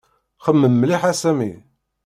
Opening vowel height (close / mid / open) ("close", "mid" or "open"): mid